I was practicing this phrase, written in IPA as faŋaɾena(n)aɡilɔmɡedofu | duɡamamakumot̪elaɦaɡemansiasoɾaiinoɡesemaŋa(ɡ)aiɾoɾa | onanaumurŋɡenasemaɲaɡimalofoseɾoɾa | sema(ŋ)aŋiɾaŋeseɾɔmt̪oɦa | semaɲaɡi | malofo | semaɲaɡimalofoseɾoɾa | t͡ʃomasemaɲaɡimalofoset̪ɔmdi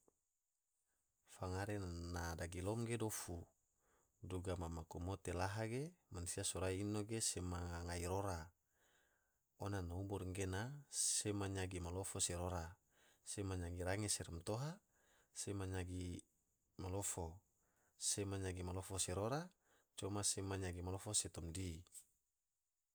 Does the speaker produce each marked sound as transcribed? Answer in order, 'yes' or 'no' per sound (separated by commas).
no, no, no